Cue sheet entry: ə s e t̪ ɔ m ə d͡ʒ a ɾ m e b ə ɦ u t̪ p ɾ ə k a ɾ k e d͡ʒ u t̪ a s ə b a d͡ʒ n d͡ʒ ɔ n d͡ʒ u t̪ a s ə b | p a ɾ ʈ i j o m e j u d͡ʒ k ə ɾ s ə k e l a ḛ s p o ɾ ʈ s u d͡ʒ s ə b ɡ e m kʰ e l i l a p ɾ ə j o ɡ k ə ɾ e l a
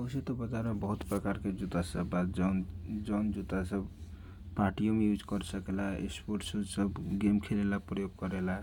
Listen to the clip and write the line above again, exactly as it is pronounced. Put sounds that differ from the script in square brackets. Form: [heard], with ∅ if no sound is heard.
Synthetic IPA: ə s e t̪ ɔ [b] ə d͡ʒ a ɾ m e b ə ɦ u t̪ p ɾ ə k a ɾ k e d͡ʒ u t̪ a s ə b a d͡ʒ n d͡ʒ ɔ n d͡ʒ u t̪ a s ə b | p a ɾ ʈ i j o m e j u d͡ʒ k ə ɾ s ə k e l a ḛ s p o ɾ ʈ s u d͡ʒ s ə b ɡ e m kʰ e l [e] l a p ɾ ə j o ɡ k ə ɾ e l a

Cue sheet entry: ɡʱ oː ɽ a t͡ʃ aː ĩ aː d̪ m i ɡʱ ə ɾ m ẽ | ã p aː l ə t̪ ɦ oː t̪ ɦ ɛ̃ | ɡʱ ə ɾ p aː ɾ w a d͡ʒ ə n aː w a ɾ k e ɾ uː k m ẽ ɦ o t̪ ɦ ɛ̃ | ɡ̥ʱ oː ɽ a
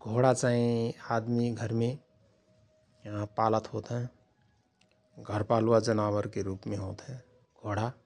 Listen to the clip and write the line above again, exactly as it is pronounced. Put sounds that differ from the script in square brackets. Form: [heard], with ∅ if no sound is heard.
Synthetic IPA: ɡʱ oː ɽ a t͡ʃ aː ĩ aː d̪ m i ɡʱ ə ɾ m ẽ | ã p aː l ə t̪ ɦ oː t̪ ɦ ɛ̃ | ɡʱ ə ɾ p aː [l] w a d͡ʒ ə n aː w [ə] ɾ k e ɾ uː [p] m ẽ ɦ o t̪ ɦ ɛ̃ | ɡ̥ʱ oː ɽ a

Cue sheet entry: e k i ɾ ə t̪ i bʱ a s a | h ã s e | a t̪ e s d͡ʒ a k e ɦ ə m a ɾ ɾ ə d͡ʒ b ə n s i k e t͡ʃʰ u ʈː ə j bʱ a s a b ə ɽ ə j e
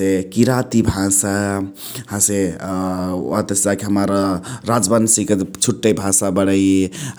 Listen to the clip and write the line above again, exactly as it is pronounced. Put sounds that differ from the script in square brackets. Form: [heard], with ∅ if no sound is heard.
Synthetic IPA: e k i ɾ [a] t̪ i bʱ a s a | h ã s e | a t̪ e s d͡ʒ a k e ɦ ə m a ɾ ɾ [a] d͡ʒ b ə n s i k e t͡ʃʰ u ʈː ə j bʱ a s a b ə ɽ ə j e

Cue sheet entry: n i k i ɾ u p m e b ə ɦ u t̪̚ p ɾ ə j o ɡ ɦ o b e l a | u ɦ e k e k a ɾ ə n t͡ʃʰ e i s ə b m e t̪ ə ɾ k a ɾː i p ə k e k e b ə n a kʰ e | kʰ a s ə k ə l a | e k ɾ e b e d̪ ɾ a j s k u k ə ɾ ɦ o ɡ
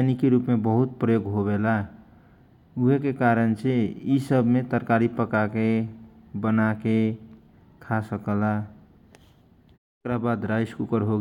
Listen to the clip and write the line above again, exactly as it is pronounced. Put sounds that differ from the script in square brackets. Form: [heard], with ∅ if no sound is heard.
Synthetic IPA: n i k i ɾ u p m e b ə ɦ u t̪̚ p ɾ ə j o ɡ ɦ o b e l a | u ɦ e k e k a ɾ ə n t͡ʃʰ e i s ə b m e t̪ ə ɾ k a [ɾ] i p ə k [a] k e b ə n a [k] e | kʰ a s ə k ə l a | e k ɾ [a] b [a] d̪ ɾ a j s k u k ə ɾ ɦ o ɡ

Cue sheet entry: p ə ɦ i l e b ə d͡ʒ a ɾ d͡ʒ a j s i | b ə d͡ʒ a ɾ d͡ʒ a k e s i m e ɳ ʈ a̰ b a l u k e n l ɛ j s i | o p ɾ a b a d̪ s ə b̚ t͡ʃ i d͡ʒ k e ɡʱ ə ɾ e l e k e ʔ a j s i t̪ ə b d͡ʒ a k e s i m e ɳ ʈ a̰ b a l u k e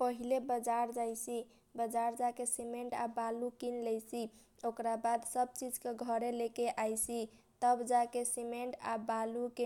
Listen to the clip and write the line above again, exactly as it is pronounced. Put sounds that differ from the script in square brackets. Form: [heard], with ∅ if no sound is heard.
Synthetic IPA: p ə ɦ i l e b ə d͡ʒ a ɾ d͡ʒ a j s i | b ə d͡ʒ a ɾ d͡ʒ a k e s i m e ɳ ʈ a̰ b a l u k [i] n l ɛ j s i | o [k] ɾ a b a d̪ s ə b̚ t͡ʃ i d͡ʒ k e ɡʱ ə ɾ e l e k e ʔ a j s i t̪ ə b d͡ʒ a k e s i m e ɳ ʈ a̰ b a l u k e

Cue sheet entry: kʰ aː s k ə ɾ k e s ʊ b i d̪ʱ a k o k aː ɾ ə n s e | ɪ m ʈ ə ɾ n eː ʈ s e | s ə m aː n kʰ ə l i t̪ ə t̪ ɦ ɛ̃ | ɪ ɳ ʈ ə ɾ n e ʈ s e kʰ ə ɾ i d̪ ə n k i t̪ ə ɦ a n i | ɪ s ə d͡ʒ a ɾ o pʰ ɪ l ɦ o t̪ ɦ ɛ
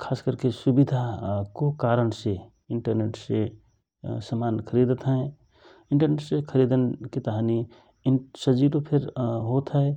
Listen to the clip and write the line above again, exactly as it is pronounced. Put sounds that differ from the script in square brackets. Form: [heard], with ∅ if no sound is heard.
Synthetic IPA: kʰ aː s k ə ɾ k e s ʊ b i d̪ʱ a k o k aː ɾ ə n s e | ɪ [ɳ] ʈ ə ɾ n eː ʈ s e | s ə m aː n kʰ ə [ɾ] i [d̪] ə t̪ ɦ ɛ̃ | ɪ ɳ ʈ ə ɾ n e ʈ s e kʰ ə ɾ i d̪ ə n k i t̪ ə ɦ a n i | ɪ s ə d͡ʒ [i] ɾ o pʰ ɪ [ɾ] ɦ o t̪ ɦ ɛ

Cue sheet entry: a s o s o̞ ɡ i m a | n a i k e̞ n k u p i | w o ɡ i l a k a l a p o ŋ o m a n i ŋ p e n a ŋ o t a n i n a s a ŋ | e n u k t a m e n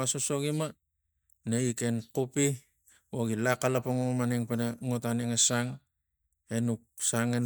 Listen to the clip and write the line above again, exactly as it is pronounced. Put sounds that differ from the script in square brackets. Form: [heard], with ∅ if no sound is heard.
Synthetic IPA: a s o s o̞ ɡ i m a | n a i k e̞ n k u p i | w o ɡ i l a k a l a p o ŋ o m a n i ŋ p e n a ŋ o t a n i [ŋ] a s a ŋ | e n u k [s] a [ŋ] e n

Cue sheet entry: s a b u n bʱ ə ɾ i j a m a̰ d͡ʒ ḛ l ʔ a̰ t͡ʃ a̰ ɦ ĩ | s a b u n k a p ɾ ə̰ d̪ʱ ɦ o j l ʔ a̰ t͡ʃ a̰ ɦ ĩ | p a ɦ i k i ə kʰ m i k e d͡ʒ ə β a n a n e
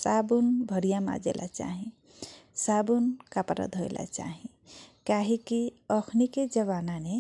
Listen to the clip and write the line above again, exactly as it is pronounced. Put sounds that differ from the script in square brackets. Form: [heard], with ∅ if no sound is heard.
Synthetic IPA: s a b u n bʱ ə ɾ i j a m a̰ d͡ʒ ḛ l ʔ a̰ t͡ʃ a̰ ɦ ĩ | s a b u n k a p ɾ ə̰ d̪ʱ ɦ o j l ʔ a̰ t͡ʃ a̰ ɦ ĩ | [k] a ɦ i k i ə kʰ [n] i k e d͡ʒ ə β a n a n e

